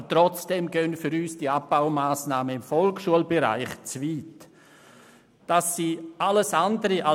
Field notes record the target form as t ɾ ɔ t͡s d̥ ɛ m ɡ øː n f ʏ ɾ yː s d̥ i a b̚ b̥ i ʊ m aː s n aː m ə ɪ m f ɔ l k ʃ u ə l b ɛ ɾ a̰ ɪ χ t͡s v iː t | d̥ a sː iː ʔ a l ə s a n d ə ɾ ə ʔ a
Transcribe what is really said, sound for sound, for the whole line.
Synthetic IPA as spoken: t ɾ ɔ t͡s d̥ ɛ m ɡ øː n f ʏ ɾ yː s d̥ i a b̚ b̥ a ʊ m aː s n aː m ə ɪ m f ɔ l k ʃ u ə l b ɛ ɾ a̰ ɪ χ t͡s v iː t | d̥ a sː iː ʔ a l ə s a n d ə ɾ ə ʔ a

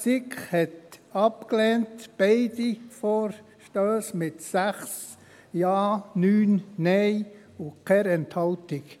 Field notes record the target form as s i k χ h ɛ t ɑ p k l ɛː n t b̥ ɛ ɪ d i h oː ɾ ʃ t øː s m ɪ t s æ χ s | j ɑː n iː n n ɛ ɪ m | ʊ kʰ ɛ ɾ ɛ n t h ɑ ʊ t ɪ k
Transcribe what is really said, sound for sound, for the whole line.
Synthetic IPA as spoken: s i k χ h ɛ t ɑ p k l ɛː n t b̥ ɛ ɪ d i f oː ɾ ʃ t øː s m ɪ t s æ χ s | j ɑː n yː n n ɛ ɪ | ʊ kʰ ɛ ɾ ɛ n t h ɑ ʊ t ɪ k

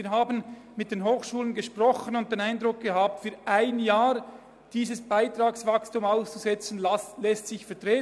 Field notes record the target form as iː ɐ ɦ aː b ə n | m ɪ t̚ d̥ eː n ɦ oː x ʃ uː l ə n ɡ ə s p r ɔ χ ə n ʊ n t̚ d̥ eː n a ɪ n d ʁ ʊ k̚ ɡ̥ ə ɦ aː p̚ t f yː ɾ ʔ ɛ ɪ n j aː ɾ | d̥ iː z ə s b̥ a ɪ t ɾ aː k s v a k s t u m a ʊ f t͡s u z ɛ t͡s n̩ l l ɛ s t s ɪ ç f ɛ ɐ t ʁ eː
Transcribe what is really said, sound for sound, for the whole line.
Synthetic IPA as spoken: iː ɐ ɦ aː b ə n | m ɪ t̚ d̥ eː n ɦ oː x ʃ uː l ə n ɡ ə ʃ p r ɔ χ ə n ʊ n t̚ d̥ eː n a ɪ n d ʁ ʊ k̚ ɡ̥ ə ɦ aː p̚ t f yː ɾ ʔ a ɪ n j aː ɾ | d̥ iː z ə s b̥ a ɪ t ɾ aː k s v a k s t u m a ʊ s t͡s u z ɛ t͡s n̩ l l ɛ s t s ɪ ç f ɛ ɐ t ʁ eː

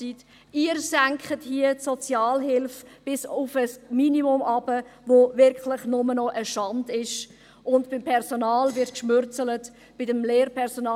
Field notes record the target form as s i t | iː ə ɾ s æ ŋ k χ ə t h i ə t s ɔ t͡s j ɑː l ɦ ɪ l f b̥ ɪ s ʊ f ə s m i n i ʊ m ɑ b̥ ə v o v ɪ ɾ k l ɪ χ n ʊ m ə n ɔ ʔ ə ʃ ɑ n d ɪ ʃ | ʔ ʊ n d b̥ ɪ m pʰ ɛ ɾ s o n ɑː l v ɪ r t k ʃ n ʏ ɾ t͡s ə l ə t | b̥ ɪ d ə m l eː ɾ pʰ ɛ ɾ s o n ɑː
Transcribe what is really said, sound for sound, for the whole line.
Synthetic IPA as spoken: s i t | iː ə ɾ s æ ŋ k χ ə t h i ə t s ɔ t͡s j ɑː l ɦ ɪ l f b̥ ɪ s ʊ f ə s m i n i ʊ m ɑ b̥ ə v o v ɪ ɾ k l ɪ χ n ʊ m ə n ɔ ʔ ə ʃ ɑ n d ɪ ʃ | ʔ ʊ n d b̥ ɪ m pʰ ɛ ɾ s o n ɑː l v ɪ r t k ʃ m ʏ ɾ t͡s ə l ə t | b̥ ɪ d ə m l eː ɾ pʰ ɛ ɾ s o n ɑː

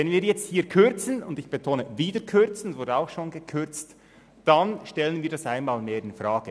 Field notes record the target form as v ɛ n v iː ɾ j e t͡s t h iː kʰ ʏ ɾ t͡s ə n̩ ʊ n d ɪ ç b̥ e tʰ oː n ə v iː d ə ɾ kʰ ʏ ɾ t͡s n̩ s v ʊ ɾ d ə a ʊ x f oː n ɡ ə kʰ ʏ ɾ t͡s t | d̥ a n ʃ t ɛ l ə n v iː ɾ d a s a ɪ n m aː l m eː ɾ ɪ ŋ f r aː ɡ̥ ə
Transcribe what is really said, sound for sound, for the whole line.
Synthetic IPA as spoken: v ɛ n v iː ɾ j ɛ t͡s t h iː kʰ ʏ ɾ t͡s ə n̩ ʊ n d ɪ ç b̥ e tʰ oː n ə v iː d ə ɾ kʰ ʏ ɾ t͡s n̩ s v ʊ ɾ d ə a ʊ x ʃ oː n ɡ ə kʰ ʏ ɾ t͡s t | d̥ a n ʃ t ɛ l ə n v iː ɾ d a s a ɪ n m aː l m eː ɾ ɪ n f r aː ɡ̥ ə

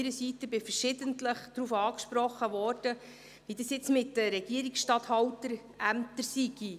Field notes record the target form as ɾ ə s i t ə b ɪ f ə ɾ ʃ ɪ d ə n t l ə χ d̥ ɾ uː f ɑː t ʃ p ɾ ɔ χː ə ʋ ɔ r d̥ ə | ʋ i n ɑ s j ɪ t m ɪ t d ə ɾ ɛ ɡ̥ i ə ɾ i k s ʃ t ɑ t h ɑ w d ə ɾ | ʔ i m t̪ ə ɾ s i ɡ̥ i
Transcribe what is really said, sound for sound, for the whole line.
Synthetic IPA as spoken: ɾ ə s i t ə b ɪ f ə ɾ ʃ ɪ d ə n t l ə χ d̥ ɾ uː f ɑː k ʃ p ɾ ɔ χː ə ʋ ɔ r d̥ ə | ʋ i d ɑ s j ɪ t͡s m ɪ t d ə ɾ ɛ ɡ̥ i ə ɾ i k s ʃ t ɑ t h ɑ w t ə ɾ | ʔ æ m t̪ ə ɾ s i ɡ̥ i

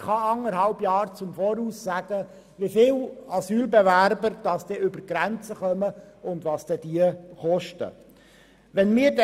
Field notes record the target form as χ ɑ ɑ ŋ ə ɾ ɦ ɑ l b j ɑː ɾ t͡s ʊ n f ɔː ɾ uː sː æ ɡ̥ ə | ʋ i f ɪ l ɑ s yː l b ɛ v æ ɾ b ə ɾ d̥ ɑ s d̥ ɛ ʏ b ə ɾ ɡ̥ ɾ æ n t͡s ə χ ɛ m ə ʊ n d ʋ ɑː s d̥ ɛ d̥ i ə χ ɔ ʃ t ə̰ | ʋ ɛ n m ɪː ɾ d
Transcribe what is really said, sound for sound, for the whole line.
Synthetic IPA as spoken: χ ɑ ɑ ŋ ə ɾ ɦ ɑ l b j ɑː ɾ t͡s ʊ m f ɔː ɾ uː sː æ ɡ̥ ə | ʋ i f ɪ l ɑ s yː l b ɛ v æ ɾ b ə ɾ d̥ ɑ s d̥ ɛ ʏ b ə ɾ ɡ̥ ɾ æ n t͡s ə χ œ m ə ʊ n d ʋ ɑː s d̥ ɛ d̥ i ə χ ɔ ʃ t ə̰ | ʋ ɛ n m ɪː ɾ d

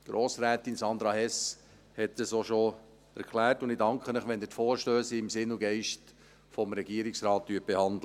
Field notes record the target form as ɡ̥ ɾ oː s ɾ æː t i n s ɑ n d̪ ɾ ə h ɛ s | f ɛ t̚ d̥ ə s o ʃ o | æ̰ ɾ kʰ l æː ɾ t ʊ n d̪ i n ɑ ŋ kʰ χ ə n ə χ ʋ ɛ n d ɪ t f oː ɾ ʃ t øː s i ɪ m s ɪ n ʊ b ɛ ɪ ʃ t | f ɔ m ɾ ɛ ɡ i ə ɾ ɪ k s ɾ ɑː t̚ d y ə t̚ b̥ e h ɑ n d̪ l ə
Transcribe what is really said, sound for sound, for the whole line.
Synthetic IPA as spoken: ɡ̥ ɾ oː s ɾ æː t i n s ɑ n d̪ ɾ ɑ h ɛ s | h ɛ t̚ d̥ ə s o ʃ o | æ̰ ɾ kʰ l æː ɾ t ʊ n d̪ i d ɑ ŋ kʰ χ ə n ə χ ʋ ɛ n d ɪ t f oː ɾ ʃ t øː s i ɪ m s ɪ n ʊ ɡ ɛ ɪ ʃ t | f ɔ m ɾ ɛ ɡ i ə ɾ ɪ k s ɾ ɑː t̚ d y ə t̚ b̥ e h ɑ n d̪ l ə

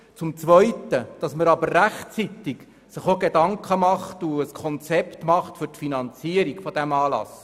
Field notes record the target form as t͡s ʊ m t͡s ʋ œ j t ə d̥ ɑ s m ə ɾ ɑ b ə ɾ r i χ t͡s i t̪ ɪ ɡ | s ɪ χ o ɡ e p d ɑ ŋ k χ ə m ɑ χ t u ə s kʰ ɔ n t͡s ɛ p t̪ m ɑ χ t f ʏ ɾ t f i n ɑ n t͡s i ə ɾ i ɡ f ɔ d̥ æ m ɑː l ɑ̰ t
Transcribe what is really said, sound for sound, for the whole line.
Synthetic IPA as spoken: t͡s ʊ m t͡s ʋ œ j t ə d̥ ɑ s m ə ɾ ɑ b ə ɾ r æ χ t͡s i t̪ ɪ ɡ | s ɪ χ o ɡ e d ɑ ŋ k χ ə m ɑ χ t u ə s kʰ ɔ n t͡s ɛ p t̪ m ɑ χ t f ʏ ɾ t f i n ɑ n t͡s i ə ɾ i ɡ f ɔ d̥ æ m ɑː l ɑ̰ s

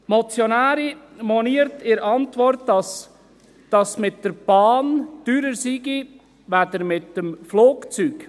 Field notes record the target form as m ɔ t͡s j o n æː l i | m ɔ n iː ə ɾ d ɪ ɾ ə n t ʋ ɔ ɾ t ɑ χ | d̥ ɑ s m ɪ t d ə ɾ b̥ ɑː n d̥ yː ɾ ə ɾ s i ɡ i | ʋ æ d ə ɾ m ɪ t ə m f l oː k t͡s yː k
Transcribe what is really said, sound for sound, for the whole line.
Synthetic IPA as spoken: m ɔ t͡s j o n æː ɾ i | m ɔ n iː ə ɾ t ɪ ɾ ɑ n t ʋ ɔ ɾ t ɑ s | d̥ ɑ s m ɪ t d ə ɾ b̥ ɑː n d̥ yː ɾ ə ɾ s i ɡ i | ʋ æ d ə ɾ m ɪ t ə m f l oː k t͡s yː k

